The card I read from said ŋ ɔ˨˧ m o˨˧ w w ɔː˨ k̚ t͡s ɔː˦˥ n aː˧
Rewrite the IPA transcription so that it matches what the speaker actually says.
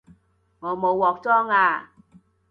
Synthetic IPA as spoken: ŋ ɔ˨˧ m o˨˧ w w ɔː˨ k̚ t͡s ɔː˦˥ ŋ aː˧